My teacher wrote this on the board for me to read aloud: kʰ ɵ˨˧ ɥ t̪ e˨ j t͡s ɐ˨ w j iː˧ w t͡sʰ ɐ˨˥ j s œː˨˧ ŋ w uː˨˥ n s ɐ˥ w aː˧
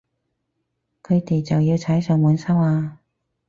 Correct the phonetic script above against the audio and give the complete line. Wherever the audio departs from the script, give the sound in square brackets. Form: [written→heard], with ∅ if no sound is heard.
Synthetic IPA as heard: kʰ ɵ˨˧ ɥ t̪ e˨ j t͡s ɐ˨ w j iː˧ w t͡sʰ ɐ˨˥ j s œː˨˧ ŋ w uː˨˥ n s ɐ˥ w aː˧